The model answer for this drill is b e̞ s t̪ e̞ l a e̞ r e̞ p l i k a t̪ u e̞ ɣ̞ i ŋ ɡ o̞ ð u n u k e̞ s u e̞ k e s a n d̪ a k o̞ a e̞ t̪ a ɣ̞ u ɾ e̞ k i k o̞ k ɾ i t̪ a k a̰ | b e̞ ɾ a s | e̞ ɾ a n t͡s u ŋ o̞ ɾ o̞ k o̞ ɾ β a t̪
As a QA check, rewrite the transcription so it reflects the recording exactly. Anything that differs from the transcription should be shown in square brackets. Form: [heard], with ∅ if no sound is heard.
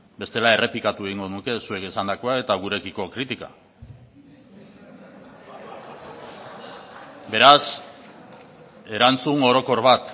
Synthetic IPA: b e̞ s t̪ e̞ l a e̞ r e̞ p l i k a t̪ u e̞ ɣ̞ i ŋ ɡ o̞ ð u n u k e̞ s u e̞ k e s a n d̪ a k o̞ a e̞ t̪ a ɣ̞ u ɾ e̞ k i k o̞ k ɾ i t̪ [i] k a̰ | b e̞ ɾ a s | e̞ ɾ a n t͡s u ŋ o̞ ɾ o̞ k o̞ ɾ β a t̪